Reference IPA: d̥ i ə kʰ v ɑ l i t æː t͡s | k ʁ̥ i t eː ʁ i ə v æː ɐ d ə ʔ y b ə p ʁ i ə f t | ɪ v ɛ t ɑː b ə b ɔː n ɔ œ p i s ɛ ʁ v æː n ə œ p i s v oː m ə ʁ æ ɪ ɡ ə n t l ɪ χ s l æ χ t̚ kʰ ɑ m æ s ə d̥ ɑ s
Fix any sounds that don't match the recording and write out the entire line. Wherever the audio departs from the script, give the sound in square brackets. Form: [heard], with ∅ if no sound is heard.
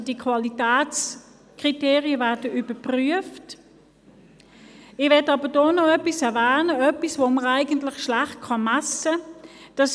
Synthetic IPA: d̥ i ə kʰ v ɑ l i t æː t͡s | k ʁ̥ i t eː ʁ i ə v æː ɐ d ə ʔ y b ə p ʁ [y] ə f t | ɪ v ɛ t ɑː b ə [d] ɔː n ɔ œ p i s ɛ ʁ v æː n ə œ p i s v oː m ə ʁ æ ɪ ɡ ə n t l ɪ χ [ʃ] l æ χ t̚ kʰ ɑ m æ s ə d̥ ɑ s